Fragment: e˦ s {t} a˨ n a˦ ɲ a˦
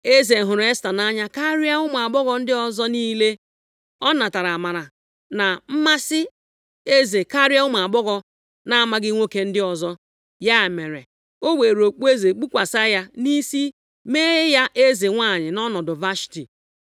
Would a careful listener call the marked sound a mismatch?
no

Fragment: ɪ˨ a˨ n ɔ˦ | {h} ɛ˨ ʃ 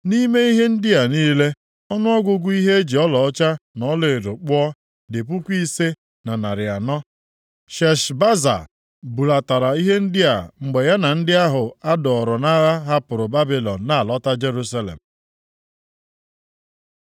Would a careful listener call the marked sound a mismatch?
yes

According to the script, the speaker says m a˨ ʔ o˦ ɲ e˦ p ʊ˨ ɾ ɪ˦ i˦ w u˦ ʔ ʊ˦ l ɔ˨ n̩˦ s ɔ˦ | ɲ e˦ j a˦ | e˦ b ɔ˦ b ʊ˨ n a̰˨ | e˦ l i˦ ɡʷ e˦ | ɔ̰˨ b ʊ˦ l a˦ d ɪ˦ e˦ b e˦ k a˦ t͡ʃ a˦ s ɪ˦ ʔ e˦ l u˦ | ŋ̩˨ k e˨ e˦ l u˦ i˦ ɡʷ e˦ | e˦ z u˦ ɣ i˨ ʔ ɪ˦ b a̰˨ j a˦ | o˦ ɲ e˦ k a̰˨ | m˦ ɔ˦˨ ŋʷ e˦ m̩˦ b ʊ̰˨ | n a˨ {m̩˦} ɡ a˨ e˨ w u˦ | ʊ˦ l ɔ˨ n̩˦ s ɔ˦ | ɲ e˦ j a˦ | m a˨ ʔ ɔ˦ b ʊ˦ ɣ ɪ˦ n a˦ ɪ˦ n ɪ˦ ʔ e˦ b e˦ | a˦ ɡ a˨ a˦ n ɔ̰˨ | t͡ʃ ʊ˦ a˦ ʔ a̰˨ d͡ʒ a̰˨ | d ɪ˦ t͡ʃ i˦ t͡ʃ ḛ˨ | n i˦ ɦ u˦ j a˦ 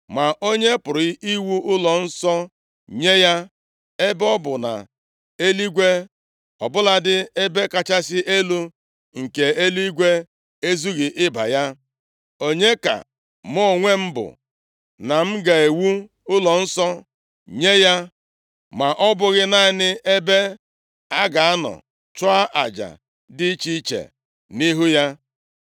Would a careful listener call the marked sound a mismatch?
no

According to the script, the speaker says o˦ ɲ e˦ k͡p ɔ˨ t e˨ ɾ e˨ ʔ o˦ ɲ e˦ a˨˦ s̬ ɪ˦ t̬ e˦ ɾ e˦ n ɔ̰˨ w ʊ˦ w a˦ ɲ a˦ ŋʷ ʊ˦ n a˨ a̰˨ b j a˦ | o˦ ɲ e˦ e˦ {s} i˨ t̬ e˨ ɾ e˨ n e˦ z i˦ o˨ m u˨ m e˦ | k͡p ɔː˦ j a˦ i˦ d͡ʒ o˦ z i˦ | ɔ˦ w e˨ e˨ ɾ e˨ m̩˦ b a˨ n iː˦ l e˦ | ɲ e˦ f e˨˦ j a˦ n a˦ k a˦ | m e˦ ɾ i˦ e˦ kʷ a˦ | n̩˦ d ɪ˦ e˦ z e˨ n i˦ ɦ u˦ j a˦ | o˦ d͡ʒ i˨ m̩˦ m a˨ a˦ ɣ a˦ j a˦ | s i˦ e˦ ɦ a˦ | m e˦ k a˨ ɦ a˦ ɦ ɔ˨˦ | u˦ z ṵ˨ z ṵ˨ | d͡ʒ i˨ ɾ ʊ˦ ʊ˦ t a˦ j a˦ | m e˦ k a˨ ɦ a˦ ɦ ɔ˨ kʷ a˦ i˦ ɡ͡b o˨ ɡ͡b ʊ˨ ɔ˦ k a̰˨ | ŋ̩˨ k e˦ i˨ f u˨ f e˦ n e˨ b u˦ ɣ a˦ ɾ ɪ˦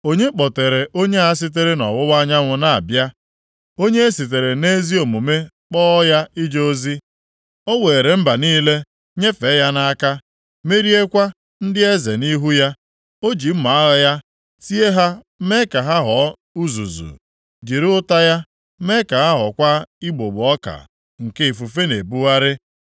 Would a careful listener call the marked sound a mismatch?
no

